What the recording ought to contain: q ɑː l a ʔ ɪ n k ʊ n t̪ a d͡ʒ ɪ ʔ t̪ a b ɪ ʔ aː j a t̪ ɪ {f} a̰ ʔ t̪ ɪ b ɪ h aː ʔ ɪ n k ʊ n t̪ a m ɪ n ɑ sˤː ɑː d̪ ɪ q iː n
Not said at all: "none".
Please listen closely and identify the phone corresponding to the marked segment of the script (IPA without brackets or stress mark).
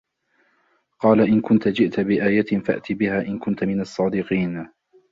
f